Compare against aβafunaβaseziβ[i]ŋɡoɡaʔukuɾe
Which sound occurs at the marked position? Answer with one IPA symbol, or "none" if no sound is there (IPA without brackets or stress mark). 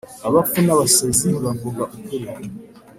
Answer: a